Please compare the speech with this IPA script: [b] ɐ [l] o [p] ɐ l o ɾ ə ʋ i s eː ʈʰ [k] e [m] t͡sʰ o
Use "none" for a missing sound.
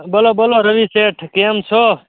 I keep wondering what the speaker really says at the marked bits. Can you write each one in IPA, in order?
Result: b, l, b, k, m

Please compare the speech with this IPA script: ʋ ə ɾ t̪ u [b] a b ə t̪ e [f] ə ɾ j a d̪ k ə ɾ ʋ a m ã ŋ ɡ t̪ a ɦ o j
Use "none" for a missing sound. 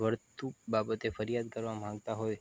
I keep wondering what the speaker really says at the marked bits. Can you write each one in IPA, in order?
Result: b, f

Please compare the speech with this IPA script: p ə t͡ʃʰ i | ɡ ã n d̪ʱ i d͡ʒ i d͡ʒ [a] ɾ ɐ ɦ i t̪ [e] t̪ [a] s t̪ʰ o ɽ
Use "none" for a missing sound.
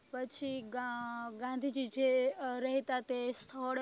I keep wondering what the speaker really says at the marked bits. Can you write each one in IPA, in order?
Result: e, a, e

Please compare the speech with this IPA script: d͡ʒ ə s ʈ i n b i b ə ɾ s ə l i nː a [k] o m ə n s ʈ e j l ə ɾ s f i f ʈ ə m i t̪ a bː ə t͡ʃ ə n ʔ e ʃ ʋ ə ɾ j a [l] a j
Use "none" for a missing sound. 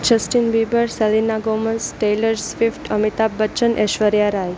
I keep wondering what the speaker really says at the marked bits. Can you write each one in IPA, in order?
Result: ɡ, ɾ

